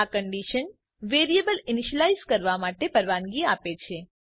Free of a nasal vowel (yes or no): yes